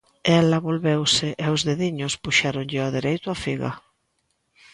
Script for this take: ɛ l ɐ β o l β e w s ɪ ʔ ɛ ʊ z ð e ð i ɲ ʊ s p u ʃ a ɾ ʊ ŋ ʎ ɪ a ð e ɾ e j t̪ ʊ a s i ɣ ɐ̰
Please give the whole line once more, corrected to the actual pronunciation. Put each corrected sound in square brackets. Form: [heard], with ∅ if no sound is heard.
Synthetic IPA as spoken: ɛ l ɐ β o l β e w s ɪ ʔ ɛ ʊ z ð e ð i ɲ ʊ s p u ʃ a ɾ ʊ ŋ ʎ ɪ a ð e ɾ e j t̪ ʊ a [f] i ɣ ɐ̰